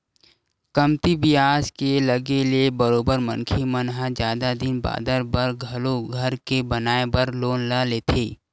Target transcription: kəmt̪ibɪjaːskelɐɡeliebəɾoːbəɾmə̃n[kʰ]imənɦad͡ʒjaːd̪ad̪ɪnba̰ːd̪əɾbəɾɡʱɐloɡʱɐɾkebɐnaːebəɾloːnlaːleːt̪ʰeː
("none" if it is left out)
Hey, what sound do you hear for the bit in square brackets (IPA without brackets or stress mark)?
kʰ